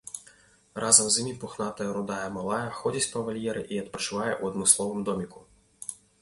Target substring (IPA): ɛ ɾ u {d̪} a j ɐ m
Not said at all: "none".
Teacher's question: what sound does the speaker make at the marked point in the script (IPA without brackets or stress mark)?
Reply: d̪